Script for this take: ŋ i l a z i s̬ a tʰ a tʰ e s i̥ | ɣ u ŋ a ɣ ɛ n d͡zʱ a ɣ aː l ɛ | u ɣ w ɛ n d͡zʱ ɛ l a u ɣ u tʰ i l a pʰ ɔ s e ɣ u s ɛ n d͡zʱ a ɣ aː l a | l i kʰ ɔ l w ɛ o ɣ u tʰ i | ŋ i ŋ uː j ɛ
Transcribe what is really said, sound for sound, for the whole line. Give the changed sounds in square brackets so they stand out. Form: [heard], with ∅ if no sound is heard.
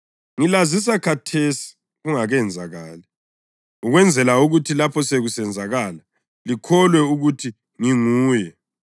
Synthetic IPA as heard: ŋ i l a z i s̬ a [kʰ] a tʰ e s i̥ | ɣ u ŋ a ɣ ɛ n d͡zʱ a ɣ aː l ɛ | u ɣ w ɛ n d͡zʱ ɛ l a u ɣ u tʰ i l a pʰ ɔ s e ɣ u s ɛ n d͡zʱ a ɣ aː l a | l i kʰ ɔ l w ɛ [u] ɣ u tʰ i | ŋ i ŋ uː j ɛ